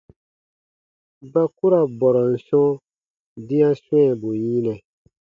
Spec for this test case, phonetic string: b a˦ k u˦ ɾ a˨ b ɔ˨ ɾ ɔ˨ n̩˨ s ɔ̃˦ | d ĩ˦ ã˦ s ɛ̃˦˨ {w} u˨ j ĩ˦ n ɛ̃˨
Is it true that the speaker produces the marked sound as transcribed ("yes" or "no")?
no